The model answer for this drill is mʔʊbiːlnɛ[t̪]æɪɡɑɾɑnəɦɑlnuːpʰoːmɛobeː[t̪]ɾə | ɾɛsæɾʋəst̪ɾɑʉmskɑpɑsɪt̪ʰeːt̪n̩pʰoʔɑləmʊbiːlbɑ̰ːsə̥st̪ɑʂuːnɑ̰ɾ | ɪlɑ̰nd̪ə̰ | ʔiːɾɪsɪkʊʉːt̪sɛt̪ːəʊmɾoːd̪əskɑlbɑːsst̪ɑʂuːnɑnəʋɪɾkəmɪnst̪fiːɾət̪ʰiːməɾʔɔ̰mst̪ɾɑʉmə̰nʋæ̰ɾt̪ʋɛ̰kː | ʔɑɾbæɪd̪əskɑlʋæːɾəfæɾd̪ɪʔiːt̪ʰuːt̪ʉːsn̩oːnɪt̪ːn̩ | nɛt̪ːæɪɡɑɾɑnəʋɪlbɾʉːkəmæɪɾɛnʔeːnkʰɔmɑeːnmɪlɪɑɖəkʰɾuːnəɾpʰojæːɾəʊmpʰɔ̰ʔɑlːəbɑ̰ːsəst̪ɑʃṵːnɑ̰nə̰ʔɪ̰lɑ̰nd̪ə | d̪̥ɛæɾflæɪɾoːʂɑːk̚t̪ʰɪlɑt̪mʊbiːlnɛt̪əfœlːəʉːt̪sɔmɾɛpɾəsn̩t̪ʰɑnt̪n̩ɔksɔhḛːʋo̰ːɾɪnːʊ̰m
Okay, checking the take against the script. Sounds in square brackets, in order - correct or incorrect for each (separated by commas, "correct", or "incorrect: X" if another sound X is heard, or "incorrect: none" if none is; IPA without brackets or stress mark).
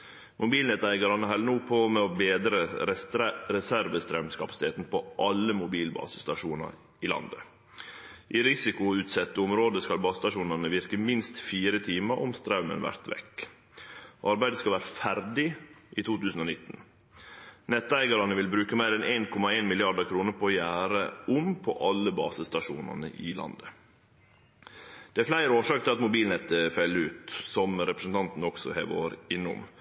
correct, incorrect: d̪